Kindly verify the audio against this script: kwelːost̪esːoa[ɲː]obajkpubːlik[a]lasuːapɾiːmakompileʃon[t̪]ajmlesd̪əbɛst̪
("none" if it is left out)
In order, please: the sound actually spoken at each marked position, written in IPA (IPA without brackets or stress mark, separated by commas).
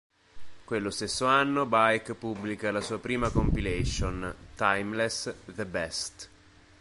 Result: nː, a, t̪